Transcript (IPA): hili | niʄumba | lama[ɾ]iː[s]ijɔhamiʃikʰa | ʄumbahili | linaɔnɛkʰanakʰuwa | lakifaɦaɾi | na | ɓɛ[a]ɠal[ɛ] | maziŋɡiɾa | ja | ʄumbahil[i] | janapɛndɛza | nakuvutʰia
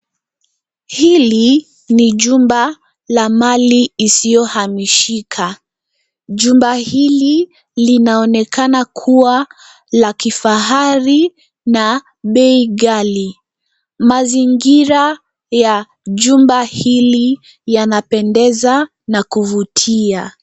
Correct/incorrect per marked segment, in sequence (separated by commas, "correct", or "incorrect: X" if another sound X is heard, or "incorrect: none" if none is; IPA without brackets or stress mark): incorrect: l, correct, incorrect: i, incorrect: i, correct